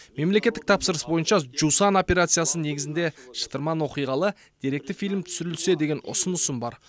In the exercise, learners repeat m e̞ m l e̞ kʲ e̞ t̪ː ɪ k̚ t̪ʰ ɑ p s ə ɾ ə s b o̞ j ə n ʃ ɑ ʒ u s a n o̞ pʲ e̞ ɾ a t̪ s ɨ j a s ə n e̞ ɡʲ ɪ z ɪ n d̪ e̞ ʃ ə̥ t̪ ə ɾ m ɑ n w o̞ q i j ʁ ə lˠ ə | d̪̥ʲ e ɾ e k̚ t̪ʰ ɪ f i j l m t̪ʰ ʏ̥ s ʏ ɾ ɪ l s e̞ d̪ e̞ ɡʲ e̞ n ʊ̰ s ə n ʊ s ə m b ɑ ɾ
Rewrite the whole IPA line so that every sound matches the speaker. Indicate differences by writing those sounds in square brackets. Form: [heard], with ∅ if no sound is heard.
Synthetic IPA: m e̞ m l e̞ kʲ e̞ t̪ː ɪ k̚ t̪ʰ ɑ p s ə ɾ ə s b o̞ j ə n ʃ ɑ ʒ u s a n o̞ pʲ e̞ ɾ a t̪ s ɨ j a s ə n e̞ ɡʲ ɪ z ɪ n d̪ e̞ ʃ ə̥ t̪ ə ɾ m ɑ n w o̞ q i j ʁ [ɑ] lˠ ə | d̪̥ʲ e ɾ e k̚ [t̪] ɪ f i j l m t̪ʰ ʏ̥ s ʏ ɾ ɪ l s e̞ d̪ e̞ ɡʲ e̞ n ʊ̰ s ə n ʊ s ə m b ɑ ɾ